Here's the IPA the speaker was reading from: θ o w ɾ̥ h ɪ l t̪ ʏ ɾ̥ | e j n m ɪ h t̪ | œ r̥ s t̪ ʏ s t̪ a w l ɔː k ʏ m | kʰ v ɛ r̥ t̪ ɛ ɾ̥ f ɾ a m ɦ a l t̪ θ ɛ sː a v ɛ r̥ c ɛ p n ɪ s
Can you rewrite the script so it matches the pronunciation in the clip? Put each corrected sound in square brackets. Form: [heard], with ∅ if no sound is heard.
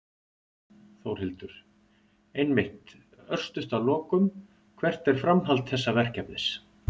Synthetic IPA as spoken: θ o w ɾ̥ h ɪ l t̪ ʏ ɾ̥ | e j n m ɪ h t̪ | œ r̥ s t̪ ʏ s t̪ a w l ɔː k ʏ m | kʰ v ɛ r̥ t̪ ɛ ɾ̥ f ɾ a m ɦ a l t̪ θ ɛ sː a v ɛ r̥ c ɛ p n ɪ s